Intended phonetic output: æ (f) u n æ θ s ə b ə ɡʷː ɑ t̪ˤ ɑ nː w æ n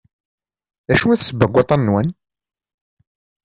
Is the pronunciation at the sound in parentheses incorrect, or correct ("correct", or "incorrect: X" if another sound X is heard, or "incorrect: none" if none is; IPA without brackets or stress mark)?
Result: incorrect: ʃ